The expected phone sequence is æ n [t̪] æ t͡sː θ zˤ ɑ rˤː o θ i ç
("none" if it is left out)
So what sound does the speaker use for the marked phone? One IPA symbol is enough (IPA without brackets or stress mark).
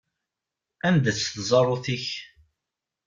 d̪